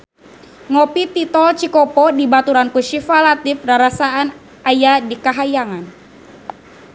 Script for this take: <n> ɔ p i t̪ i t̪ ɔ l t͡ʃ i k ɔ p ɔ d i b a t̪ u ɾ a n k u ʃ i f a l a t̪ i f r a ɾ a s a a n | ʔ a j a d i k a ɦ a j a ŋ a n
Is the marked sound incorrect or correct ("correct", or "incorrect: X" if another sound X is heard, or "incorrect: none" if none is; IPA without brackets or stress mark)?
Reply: incorrect: ŋ